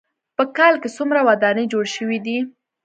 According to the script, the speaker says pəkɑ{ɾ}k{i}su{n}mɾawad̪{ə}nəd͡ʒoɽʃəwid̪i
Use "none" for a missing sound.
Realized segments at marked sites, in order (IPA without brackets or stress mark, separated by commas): l, e, none, ɑ